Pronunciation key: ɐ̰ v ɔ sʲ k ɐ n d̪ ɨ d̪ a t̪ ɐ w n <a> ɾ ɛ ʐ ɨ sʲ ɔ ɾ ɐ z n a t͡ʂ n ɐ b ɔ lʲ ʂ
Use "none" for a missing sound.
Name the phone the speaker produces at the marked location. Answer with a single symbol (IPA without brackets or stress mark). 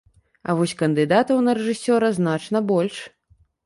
ɐ